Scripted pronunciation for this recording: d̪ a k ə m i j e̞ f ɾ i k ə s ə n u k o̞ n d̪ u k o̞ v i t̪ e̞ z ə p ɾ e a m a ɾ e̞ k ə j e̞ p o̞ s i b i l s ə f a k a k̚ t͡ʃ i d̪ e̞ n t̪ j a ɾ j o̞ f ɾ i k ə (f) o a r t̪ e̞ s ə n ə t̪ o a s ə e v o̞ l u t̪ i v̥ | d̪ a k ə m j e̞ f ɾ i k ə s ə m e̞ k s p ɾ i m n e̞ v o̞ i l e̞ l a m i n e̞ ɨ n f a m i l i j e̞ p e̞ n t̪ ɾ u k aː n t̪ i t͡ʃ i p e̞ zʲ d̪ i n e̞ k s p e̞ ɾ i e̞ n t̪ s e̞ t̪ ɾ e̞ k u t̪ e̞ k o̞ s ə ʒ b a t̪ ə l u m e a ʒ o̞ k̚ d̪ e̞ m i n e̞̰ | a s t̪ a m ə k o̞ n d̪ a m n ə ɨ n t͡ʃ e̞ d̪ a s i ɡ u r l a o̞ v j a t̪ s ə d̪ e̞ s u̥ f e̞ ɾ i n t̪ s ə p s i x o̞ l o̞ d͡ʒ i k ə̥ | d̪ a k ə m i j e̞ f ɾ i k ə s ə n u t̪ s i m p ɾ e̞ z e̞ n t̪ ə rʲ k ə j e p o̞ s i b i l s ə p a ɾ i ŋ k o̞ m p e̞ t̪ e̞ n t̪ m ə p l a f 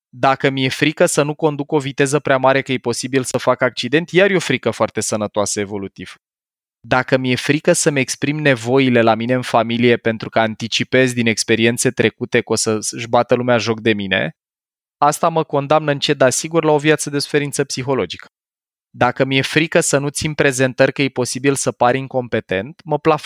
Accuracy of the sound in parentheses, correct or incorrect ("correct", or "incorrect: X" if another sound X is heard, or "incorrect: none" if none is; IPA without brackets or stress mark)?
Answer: correct